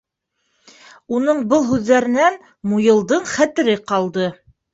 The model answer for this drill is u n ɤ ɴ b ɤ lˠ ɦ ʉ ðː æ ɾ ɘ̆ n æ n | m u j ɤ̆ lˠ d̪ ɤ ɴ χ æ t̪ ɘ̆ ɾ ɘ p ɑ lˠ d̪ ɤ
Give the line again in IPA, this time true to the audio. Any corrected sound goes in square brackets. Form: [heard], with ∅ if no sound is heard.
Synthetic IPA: u n ɤ ɴ b ɤ lˠ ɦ ʉ ðː æ ɾ ɘ̆ n æ n | m u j ɤ̆ lˠ d̪ ɤ ɴ χ æ t̪ ɘ̆ ɾ ɘ [q] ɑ lˠ d̪ ɤ